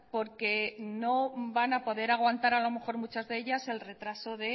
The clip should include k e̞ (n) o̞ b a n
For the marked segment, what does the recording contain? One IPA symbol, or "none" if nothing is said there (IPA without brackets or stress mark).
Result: n